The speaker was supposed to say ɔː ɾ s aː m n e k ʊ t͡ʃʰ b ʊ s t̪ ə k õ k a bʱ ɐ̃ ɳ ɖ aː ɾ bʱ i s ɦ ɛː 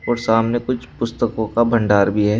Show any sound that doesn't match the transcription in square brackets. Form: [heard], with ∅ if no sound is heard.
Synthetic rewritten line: ɔː ɾ s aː m n e k ʊ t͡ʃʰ [p] ʊ s t̪ ə k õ k a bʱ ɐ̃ ɳ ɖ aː ɾ bʱ i [∅] ɦ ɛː